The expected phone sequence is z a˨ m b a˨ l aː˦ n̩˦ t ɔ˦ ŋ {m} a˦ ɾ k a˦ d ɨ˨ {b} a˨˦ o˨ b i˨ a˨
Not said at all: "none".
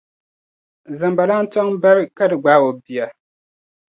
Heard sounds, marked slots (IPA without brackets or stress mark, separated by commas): b, ɡ͡b